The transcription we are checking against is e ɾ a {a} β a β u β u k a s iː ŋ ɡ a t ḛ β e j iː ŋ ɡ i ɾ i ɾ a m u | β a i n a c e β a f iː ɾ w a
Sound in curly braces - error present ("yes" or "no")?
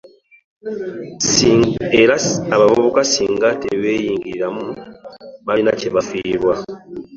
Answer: no